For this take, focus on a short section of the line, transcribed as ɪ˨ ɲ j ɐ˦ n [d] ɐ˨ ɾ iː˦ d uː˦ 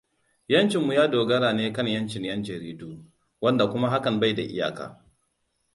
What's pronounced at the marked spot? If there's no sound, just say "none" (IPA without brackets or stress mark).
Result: d͡ʒ